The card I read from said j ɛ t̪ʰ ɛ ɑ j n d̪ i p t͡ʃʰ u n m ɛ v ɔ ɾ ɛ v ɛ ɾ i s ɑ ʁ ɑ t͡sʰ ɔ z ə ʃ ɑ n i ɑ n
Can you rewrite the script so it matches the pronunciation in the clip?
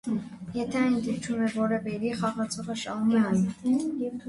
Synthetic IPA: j ɛ t̪ʰ ɛ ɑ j n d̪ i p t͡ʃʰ u m ɛ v ɔ ɾ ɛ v ɛ ɾ i χ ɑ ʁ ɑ t͡sʰ ɔ ʁ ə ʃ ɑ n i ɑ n

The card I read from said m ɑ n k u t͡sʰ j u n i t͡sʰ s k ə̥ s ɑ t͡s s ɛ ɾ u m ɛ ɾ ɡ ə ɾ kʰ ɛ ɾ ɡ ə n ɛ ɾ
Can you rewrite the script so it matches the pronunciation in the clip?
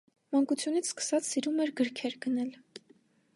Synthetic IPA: m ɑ ŋ k u t͡sʰ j u n i t͡sʰ s k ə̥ s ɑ t͡s s i ɾ u m ɛ ɾ ɡ ə ɾ kʰ ɛ ɾ ɡ ə n ɛ l

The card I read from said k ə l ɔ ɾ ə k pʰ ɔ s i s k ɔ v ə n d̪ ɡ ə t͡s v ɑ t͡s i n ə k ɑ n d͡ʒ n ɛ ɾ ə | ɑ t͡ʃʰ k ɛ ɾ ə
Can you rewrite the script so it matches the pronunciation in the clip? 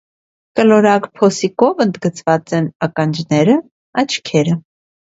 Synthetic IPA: k ə l ɔ ɾ ɑ k pʰ ɔ s i k ɔ v ə n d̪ ɡ ə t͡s v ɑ t͡s ɛ n ɑ k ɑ n d͡ʒ n ɛ ɾ ə | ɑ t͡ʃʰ kʰ ɛ ɾ ə

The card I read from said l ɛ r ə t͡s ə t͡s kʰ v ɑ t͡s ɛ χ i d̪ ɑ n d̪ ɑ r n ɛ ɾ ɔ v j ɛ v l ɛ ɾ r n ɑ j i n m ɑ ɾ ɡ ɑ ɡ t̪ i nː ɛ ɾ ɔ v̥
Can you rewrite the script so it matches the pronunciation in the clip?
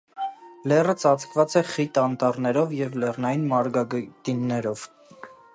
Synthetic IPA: l ɛ r ə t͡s ɑ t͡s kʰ v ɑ t͡s ɛ χ i t̪ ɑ n t̪ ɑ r n ɛ ɾ ɔ v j ɛ v l ɛ r n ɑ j i n m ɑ ɾ ɡ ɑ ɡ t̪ i nː ɛ ɾ ɔ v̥

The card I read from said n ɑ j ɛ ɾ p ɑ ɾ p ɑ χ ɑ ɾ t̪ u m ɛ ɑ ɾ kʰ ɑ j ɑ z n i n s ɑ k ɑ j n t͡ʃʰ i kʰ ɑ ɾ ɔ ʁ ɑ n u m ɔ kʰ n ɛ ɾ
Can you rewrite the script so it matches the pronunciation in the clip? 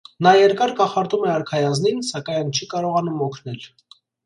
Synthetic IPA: n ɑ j ɛ ɾ k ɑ ɾ k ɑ χ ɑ ɾ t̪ u m ɛ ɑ ɾ kʰ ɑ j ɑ z n i n s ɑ k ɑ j n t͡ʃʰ i k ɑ ɾ ɔ ʁ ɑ n u m ɔ kʰ n ɛ l

